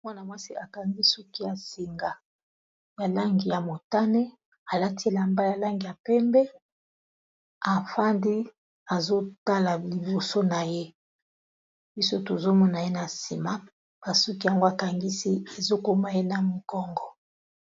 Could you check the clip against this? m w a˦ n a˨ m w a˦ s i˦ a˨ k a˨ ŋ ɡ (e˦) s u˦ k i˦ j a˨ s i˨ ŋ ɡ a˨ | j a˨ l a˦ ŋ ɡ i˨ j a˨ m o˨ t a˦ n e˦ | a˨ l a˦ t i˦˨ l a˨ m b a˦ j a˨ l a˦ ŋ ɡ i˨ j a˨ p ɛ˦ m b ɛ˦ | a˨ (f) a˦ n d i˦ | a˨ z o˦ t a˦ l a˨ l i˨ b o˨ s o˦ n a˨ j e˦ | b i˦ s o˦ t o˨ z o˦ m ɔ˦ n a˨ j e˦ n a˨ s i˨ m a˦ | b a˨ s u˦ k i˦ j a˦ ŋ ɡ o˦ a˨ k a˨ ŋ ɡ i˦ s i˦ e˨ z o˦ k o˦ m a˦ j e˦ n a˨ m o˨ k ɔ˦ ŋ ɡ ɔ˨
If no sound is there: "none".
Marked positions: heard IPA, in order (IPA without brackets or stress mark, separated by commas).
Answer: i˦, f